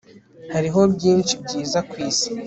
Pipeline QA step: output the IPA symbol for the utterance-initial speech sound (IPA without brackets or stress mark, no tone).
h